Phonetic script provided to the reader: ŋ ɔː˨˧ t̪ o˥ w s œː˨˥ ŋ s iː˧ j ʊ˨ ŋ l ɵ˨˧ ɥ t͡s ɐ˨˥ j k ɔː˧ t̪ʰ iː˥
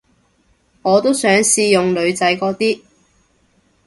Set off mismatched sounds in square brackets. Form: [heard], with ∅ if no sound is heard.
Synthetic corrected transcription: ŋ ɔː˨˧ t̪ o˥ w s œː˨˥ ŋ s iː˧ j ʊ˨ ŋ l ɵ˨˧ ɥ t͡s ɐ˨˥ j k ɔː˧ [t̪] iː˥